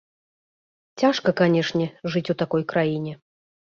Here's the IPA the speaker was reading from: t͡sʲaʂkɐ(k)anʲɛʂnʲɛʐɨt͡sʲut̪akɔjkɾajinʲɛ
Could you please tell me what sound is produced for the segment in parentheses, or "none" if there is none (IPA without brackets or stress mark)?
k